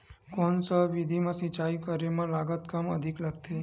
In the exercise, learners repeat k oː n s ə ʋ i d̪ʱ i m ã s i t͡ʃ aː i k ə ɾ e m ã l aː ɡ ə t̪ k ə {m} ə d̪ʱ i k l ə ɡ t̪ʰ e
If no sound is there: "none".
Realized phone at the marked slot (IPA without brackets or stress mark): m